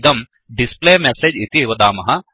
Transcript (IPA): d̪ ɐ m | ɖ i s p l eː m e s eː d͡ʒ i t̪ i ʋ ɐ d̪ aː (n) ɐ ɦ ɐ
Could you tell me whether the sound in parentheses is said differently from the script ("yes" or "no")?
yes